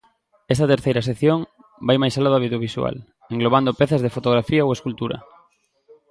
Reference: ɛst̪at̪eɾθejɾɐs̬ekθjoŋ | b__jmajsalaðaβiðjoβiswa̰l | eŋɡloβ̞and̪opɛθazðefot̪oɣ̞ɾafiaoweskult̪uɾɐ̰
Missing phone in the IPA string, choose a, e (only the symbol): a